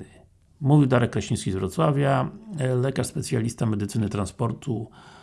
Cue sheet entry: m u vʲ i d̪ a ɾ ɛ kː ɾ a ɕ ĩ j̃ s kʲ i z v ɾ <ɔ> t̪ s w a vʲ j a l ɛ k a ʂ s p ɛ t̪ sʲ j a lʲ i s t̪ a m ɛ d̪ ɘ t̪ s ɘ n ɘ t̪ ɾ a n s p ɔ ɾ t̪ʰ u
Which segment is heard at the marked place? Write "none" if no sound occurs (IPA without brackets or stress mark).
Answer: ɔ